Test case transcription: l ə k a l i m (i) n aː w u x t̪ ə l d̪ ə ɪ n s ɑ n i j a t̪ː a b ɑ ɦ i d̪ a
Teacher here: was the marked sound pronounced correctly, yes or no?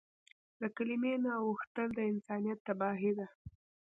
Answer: no